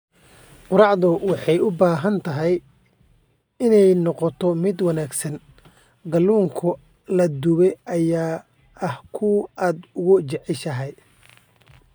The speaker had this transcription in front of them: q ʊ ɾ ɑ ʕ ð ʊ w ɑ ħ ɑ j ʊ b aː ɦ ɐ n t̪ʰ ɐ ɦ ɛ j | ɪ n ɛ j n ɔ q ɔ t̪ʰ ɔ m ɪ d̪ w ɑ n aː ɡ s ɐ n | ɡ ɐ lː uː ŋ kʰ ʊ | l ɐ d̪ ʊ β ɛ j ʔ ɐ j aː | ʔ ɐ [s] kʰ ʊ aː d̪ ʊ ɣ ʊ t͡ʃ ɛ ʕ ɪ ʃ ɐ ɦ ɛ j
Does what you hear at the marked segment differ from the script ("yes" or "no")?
yes